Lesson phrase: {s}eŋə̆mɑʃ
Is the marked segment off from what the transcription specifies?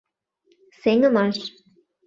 no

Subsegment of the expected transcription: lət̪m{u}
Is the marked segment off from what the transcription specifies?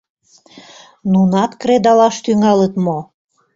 yes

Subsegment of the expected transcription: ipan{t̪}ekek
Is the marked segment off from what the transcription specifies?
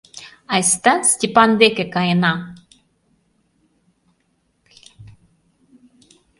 yes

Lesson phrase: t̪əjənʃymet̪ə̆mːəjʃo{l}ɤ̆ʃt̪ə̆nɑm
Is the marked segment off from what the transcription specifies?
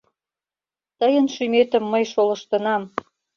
no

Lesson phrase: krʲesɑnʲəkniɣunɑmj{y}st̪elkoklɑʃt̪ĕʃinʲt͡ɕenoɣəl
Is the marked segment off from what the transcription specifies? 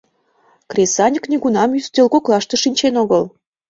no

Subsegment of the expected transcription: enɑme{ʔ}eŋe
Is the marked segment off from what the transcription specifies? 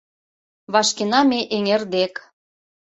no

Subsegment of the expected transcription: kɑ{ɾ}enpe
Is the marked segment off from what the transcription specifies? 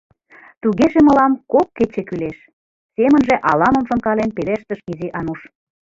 yes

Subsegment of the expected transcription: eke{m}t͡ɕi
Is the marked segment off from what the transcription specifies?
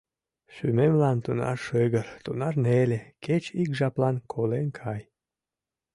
yes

